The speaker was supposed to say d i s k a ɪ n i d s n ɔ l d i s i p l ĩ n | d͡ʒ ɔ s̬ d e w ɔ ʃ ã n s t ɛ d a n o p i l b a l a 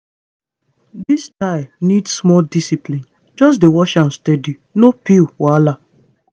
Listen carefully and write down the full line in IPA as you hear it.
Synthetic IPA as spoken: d i s t a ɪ n i d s m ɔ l d i s i p l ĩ n | d͡ʒ ɔ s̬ d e w ɔ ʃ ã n s t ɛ d i n o p i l w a l a